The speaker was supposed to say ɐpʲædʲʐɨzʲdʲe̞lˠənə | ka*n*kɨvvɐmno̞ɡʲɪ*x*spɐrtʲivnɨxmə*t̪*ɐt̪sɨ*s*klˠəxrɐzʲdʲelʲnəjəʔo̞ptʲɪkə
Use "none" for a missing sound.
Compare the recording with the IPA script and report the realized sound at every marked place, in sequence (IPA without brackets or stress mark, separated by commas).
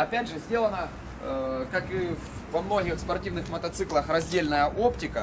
none, x, t̪, none